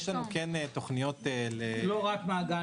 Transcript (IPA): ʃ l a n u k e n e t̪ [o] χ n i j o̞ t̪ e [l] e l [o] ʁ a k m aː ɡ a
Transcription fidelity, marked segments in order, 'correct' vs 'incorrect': correct, correct, correct

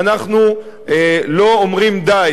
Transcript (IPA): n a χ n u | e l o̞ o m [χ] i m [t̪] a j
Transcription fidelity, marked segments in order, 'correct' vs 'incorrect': incorrect: ʁ, incorrect: d̪

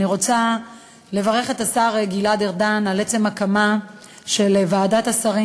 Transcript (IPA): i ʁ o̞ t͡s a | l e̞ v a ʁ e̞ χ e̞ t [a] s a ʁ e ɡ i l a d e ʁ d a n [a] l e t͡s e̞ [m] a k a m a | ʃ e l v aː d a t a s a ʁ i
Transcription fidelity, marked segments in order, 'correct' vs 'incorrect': correct, correct, correct

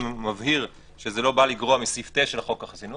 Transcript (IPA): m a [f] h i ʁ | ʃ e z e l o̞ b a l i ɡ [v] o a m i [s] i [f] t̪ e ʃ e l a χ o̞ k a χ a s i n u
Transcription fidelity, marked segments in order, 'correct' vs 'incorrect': incorrect: v, incorrect: ʁ, correct, correct

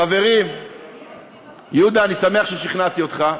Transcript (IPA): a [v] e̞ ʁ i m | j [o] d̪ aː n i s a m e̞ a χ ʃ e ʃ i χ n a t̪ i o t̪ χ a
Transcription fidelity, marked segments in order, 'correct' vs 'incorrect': correct, incorrect: u

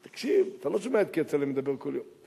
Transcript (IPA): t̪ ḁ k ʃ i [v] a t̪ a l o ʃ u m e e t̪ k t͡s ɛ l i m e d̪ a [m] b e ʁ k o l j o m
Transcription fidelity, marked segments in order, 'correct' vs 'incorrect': correct, incorrect: none

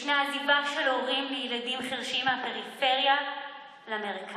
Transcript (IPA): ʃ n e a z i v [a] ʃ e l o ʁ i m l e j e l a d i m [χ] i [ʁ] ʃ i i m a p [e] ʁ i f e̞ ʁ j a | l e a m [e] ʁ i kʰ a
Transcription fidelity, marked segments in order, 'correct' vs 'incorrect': correct, correct, correct, correct, correct

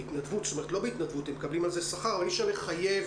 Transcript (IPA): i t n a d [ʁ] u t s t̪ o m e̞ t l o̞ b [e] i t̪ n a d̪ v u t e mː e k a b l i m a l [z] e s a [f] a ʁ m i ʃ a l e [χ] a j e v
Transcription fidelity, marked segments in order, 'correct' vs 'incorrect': incorrect: v, correct, correct, incorrect: χ, correct

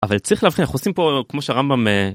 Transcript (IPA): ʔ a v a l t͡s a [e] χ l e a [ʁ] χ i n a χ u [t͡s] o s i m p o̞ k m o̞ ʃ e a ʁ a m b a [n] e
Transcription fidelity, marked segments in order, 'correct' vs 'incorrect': incorrect: i, incorrect: v, incorrect: none, incorrect: m

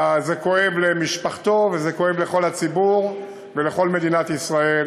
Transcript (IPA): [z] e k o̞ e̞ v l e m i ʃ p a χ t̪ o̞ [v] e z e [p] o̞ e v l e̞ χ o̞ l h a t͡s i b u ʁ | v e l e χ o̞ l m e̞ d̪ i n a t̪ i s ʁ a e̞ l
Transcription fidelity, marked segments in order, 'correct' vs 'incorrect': correct, correct, incorrect: k

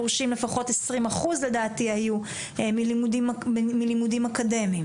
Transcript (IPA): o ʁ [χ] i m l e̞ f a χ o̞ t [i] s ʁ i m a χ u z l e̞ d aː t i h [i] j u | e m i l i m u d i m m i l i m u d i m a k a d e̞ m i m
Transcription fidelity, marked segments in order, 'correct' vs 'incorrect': incorrect: ʃ, incorrect: e, incorrect: a

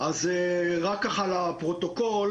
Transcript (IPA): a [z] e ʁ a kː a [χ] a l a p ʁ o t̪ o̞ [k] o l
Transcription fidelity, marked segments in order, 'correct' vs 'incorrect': correct, correct, correct

